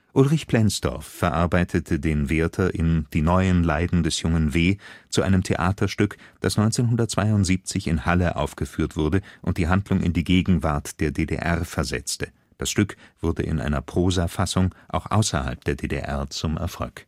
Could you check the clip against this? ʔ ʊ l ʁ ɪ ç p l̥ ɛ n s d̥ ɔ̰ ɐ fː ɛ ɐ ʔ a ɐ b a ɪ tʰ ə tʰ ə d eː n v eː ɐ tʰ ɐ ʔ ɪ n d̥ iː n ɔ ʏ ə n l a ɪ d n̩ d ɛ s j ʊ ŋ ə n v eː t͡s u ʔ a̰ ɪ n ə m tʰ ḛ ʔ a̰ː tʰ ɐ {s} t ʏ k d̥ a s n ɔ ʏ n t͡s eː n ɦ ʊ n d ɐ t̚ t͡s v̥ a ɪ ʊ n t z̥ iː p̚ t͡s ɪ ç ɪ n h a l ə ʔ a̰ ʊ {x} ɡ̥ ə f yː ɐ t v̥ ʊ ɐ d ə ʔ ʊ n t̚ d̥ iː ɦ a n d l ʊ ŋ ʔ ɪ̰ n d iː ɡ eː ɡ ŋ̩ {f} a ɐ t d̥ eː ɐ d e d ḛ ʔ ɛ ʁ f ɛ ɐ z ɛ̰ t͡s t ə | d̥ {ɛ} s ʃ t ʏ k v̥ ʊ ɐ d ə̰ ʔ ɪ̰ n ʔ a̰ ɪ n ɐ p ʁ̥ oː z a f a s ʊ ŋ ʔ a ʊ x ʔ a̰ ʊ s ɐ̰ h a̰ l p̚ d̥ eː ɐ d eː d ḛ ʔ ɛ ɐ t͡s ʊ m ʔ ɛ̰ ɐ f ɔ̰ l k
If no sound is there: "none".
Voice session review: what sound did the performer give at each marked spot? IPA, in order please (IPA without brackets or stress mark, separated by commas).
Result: ʃ, f, v, a